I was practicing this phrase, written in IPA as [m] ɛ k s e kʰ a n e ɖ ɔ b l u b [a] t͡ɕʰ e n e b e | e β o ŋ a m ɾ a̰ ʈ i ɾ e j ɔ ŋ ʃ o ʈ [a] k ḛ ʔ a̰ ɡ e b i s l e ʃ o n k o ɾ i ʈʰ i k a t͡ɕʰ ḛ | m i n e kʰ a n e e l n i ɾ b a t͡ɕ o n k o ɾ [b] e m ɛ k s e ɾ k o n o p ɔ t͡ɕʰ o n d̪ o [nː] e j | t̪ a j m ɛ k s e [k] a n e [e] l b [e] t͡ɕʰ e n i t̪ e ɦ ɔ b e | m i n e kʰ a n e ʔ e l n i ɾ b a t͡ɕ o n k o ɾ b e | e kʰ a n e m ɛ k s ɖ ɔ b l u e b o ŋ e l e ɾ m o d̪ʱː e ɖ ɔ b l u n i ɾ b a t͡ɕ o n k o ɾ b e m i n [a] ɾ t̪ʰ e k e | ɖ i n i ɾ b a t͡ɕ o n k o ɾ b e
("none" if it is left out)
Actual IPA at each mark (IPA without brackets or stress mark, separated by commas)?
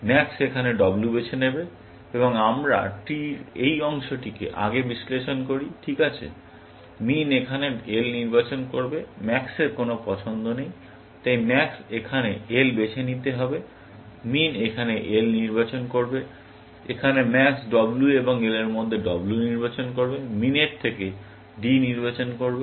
m, e, i, b, n, kʰ, e, e, e